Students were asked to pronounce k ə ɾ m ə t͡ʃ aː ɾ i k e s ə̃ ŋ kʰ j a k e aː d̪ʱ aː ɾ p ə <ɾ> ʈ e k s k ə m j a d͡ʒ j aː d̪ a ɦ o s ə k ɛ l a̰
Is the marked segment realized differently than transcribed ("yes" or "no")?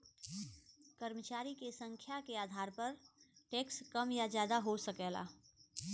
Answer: no